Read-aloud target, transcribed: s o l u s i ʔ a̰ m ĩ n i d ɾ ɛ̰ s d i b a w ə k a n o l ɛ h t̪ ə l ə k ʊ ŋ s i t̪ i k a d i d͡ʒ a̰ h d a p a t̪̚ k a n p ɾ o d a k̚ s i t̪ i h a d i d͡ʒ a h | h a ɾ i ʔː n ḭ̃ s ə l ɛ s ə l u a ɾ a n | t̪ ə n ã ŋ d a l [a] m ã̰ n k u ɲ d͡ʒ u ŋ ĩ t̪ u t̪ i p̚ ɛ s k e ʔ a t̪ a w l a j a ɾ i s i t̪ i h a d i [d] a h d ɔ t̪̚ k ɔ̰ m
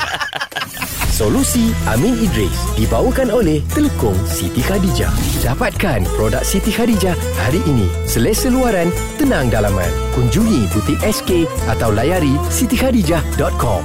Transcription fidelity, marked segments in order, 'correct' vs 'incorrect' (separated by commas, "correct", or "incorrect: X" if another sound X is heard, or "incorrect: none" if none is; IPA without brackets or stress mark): correct, incorrect: d͡ʒ